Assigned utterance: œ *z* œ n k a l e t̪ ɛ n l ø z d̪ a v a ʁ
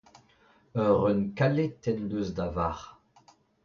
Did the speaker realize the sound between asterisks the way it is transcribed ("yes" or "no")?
no